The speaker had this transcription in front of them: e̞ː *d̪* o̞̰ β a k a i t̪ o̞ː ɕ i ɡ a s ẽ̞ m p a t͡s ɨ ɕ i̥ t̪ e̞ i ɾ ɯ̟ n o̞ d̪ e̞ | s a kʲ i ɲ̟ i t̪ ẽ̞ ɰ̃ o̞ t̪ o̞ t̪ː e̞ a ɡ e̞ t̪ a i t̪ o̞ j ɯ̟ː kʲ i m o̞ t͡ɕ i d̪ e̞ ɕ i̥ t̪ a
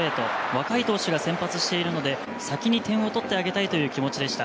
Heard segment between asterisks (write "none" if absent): t̪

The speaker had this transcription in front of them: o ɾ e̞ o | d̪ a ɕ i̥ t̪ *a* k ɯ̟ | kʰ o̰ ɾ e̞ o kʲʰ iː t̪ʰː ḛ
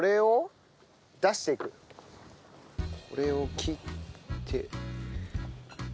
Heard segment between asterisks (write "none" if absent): e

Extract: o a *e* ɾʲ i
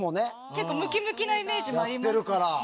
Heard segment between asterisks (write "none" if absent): a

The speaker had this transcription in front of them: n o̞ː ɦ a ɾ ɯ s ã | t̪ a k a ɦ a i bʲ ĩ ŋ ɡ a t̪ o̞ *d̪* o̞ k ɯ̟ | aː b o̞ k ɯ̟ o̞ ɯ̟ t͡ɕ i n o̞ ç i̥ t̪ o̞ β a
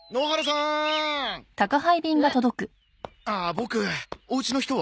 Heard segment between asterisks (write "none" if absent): d̪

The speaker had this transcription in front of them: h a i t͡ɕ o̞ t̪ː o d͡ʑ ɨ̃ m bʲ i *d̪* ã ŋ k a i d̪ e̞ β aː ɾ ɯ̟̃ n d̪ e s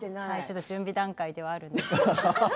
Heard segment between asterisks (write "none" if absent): d̪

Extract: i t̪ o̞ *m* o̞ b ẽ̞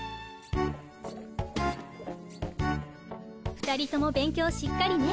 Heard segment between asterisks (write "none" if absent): m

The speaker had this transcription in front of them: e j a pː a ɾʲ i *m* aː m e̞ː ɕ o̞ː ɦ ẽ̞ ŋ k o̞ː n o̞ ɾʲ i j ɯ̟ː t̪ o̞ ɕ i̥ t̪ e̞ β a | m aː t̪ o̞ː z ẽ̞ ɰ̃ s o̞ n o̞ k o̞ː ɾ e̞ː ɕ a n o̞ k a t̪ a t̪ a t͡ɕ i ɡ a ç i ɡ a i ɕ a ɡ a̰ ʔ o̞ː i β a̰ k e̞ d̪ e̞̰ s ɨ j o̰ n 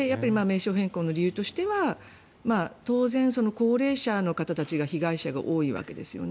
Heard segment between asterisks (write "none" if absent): m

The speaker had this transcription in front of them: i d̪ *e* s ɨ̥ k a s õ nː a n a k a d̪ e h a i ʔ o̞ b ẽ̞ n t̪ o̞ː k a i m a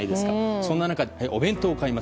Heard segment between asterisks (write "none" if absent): e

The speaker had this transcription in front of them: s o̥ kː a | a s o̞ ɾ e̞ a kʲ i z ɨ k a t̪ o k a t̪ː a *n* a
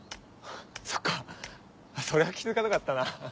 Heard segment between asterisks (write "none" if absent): n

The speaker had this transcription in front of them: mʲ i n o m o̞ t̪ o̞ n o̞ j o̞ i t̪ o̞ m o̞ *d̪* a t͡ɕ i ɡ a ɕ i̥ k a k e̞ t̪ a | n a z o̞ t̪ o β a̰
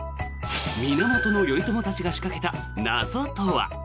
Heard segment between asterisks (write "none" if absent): t̪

